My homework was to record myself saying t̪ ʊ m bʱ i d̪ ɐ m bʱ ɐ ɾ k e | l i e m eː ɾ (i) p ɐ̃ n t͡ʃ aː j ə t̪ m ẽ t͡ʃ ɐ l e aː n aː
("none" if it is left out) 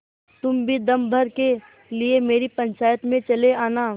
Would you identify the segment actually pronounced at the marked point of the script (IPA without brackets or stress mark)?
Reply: i